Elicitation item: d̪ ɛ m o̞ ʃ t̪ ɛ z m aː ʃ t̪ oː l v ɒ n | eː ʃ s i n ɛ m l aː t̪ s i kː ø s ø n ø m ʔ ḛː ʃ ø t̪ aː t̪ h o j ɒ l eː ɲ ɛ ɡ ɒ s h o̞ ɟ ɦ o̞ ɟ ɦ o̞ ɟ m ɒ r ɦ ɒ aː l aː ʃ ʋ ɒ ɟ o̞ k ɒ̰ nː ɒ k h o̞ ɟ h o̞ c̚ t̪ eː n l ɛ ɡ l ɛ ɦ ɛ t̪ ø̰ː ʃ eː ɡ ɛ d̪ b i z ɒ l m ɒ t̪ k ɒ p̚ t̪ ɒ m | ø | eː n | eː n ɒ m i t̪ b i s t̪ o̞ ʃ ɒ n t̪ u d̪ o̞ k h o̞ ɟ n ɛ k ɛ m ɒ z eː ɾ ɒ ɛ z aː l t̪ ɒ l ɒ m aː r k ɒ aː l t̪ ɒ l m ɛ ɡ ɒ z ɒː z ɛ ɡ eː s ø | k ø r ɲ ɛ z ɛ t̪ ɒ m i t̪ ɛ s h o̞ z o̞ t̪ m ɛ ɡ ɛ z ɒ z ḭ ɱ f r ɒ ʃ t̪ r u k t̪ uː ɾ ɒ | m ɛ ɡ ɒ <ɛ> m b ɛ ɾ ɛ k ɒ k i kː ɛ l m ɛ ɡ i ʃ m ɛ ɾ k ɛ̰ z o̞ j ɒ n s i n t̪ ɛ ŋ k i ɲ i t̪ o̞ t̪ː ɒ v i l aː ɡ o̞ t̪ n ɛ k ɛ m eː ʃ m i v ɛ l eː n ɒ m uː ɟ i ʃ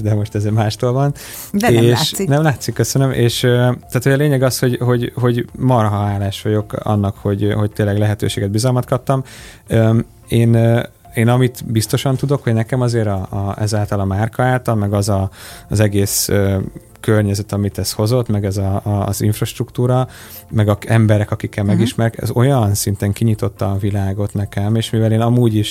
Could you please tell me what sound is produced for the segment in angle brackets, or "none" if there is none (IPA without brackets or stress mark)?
ɛ